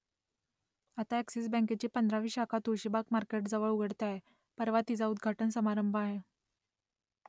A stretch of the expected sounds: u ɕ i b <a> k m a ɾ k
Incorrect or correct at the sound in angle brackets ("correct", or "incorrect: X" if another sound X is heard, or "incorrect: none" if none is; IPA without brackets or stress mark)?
correct